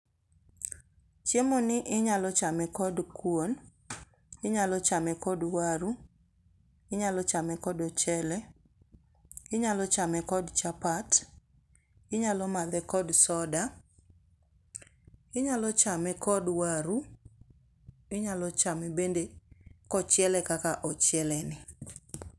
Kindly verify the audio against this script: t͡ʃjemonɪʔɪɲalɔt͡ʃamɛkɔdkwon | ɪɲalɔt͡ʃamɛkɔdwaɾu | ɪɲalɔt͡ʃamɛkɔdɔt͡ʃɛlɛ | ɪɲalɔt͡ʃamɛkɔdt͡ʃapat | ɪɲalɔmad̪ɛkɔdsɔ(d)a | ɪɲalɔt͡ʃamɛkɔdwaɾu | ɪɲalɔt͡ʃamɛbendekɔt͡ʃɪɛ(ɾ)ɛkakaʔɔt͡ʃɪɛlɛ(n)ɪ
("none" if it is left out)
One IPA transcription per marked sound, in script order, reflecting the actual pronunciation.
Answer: d, l, n

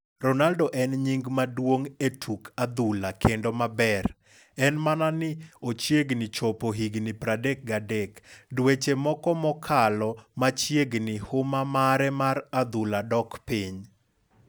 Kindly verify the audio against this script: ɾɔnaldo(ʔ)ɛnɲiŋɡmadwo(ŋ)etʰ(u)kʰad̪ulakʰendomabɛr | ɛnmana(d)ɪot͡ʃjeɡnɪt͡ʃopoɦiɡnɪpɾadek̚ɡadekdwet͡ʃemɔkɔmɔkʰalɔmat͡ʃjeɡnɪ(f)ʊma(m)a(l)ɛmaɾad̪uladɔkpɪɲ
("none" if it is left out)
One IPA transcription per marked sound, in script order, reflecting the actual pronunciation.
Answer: ʔ, ŋ, u, n, h, m, ɾ

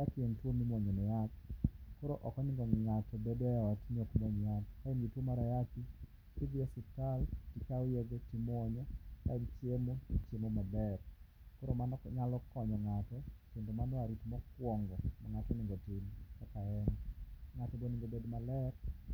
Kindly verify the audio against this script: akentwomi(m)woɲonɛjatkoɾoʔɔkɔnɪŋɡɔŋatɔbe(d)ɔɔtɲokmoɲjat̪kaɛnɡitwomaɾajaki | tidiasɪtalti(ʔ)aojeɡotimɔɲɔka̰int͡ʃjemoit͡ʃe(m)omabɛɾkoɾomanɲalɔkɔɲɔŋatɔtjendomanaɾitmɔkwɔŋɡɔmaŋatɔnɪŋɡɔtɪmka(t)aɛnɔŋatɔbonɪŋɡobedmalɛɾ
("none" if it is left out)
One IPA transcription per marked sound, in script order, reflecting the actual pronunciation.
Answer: m, d, k, m, k

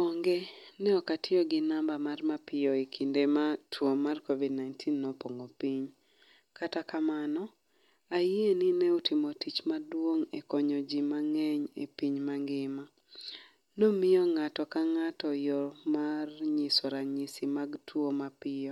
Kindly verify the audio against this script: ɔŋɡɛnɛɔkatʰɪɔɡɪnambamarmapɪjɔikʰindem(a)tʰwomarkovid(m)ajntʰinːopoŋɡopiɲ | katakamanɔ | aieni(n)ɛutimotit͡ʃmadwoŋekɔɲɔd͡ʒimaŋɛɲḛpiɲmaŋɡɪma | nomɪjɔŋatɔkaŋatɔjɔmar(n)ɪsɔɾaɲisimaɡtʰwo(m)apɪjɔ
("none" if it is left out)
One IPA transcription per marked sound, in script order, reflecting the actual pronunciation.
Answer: a, n, n, ɲ, m

